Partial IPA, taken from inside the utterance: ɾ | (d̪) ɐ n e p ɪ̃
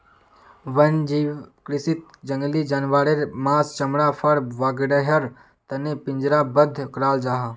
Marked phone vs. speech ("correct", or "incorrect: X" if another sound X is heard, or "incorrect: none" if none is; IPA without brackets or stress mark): incorrect: t̪